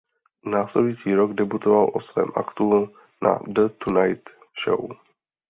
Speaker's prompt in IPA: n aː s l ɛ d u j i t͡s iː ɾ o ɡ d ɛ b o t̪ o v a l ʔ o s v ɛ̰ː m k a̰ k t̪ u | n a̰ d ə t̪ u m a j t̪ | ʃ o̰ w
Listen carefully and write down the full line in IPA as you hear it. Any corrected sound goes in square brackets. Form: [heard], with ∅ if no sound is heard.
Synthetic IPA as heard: n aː s l ɛ d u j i t͡s iː ɾ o ɡ d ɛ b [u] t̪ o v a l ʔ o s v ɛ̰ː m [ʔ] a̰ k t̪ u | n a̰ d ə t̪ u [n] a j t̪ | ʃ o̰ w